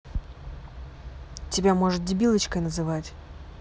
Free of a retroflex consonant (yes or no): no